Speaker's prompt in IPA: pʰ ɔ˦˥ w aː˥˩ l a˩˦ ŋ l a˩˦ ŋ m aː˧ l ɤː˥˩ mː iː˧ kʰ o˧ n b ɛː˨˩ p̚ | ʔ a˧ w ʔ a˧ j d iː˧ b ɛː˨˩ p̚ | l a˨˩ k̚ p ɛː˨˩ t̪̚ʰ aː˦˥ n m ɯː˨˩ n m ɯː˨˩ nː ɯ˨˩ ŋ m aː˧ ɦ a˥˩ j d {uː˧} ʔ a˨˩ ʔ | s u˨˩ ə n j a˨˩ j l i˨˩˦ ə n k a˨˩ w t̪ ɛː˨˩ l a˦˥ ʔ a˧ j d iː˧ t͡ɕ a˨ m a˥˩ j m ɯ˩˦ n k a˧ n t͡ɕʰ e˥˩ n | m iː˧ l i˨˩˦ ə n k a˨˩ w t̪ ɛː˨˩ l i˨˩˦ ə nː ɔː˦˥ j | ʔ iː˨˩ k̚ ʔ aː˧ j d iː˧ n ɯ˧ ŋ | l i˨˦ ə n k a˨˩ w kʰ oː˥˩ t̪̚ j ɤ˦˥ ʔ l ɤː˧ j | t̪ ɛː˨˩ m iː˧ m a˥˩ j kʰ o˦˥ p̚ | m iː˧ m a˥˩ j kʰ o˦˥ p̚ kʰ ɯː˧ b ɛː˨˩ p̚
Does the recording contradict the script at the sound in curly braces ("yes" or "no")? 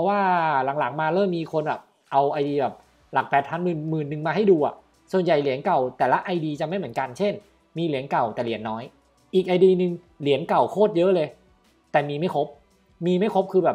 no